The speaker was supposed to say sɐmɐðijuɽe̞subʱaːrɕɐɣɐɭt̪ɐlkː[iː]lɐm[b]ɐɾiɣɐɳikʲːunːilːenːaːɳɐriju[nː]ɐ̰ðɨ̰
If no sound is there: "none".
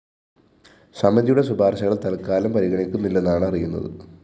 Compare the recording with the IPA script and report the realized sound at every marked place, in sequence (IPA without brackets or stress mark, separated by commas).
aː, p, nː